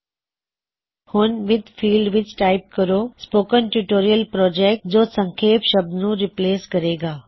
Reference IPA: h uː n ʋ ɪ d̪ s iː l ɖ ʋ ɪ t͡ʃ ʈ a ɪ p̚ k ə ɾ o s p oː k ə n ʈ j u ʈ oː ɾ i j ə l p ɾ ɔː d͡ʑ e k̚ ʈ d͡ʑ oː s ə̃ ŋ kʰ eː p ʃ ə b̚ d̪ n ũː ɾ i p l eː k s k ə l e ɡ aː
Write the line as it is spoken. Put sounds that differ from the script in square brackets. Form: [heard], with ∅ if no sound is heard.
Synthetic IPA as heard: h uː n ʋ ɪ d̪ [f] iː l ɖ ʋ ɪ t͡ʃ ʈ a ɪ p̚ k ə ɾ o s p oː k ə n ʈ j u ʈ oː ɾ i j ə l p ɾ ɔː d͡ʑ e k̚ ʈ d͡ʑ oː s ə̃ ŋ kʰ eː p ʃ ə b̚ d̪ n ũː ɾ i p l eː [∅] s k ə [ɾ] e ɡ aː